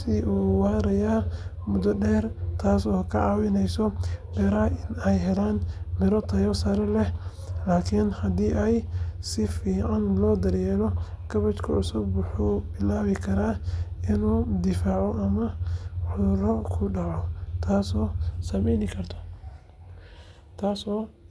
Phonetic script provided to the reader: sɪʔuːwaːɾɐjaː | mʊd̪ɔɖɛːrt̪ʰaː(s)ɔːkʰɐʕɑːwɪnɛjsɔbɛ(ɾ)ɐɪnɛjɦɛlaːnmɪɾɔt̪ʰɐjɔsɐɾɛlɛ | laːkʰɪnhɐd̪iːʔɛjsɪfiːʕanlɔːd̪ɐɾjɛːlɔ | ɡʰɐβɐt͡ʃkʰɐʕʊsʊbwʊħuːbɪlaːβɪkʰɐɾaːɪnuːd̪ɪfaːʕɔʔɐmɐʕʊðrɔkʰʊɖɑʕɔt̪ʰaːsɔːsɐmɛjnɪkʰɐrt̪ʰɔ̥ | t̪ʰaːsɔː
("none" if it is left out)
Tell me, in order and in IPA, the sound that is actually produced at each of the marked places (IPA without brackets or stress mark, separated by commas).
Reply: s, ɾ